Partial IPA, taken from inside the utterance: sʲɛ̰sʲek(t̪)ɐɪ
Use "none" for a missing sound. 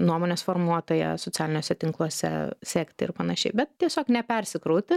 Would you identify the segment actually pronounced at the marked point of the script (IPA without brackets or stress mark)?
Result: t̪